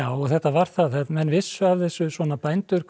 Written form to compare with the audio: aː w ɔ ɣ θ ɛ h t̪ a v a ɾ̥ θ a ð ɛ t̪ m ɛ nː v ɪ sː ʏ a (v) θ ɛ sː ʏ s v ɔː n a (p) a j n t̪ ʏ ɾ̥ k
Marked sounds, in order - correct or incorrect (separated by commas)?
correct, correct